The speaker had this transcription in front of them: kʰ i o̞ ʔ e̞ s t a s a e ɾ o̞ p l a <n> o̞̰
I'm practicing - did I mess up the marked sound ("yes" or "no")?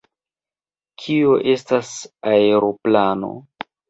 no